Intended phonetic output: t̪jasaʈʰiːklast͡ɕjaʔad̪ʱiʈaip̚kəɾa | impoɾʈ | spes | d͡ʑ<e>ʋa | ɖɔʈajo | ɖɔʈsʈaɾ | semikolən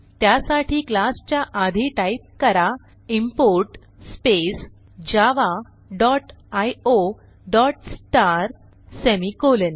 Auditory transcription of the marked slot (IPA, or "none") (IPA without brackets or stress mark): a